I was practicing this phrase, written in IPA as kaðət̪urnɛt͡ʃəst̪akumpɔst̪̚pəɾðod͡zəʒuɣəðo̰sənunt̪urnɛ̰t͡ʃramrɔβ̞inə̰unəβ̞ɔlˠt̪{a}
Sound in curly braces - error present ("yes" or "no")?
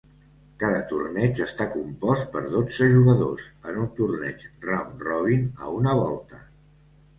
yes